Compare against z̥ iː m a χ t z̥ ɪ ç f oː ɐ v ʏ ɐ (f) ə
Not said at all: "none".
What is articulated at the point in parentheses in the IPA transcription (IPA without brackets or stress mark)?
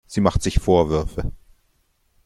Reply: f